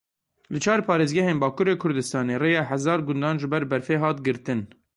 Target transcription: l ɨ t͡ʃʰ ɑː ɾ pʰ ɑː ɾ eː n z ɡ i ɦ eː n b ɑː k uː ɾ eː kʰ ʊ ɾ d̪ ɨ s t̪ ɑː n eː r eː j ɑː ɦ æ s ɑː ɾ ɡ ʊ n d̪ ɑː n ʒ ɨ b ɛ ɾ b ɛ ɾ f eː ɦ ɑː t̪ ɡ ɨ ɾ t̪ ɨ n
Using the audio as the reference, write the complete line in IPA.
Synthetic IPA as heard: l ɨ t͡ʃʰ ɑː ɾ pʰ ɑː ɾ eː z ɡ ɛ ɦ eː n b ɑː k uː ɾ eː kʰ ʊ ɾ d̪ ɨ s t̪ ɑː n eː r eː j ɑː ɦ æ z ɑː ɾ ɡ ʊ n d̪ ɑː n ʒ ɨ b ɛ ɾ b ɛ ɾ f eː ɦ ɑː t̪ ɡ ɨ ɾ t̪ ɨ n